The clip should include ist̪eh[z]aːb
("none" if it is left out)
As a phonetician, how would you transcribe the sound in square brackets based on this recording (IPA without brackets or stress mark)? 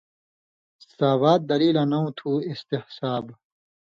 s